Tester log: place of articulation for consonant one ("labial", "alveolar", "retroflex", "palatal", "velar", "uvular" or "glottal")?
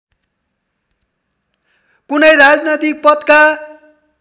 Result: velar